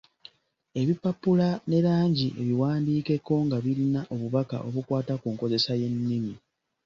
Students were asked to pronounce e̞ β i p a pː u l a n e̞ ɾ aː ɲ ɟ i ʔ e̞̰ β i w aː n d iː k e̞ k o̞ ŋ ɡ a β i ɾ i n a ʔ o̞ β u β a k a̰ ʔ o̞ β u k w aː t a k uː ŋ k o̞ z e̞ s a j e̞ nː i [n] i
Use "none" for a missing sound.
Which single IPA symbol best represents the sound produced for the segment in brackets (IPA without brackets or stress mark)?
m